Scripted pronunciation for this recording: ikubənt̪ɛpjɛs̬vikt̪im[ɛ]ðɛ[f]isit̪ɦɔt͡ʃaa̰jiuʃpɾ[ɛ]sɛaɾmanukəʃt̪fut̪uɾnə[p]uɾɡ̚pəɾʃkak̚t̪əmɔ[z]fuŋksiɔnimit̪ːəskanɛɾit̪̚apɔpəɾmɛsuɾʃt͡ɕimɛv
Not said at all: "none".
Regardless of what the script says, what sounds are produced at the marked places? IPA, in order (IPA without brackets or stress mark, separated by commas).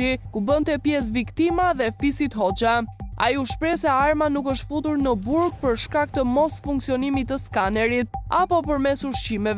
a, f, ɛ, b, s